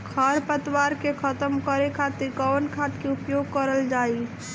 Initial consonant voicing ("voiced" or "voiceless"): voiceless